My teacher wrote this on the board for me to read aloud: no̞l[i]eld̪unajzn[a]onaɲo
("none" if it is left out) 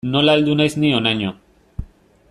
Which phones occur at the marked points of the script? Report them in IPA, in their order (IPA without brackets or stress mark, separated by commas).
a, i